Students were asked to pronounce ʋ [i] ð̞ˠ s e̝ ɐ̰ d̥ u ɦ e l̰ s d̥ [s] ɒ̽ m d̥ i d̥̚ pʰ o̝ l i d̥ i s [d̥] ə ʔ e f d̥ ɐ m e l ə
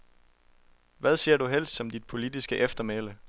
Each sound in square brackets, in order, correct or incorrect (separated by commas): incorrect, correct, incorrect